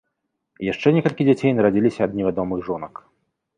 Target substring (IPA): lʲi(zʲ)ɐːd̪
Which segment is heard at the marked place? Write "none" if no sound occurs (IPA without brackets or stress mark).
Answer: sʲ